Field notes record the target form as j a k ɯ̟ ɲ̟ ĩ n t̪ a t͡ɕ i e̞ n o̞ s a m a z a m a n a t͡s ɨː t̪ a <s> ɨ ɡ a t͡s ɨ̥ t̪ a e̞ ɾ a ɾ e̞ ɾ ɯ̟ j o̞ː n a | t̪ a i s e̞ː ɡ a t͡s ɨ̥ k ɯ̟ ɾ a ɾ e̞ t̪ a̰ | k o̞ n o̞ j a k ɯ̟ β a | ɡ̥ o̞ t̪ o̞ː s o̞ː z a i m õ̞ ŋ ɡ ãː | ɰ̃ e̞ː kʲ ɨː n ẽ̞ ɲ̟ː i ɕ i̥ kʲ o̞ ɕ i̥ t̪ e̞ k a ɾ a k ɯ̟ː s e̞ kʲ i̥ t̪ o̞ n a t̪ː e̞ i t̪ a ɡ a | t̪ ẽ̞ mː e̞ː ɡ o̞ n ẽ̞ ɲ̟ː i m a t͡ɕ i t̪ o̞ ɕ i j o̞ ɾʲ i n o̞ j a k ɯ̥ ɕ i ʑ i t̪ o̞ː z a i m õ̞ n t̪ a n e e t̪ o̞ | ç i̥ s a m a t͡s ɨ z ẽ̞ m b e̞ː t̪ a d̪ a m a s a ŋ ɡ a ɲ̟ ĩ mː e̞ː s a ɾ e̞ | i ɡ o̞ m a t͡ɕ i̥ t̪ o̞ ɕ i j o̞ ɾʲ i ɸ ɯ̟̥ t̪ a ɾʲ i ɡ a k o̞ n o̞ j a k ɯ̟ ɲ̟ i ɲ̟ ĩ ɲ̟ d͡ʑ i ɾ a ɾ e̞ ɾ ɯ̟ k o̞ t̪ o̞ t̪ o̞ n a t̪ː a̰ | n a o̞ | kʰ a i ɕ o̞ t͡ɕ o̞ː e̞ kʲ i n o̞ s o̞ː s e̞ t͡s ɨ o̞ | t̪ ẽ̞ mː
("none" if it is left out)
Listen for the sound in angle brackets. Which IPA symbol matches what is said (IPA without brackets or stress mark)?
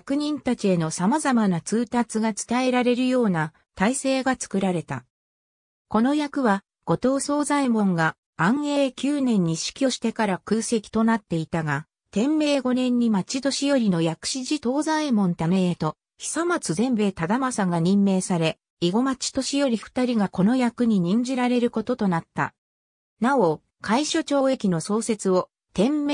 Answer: t͡s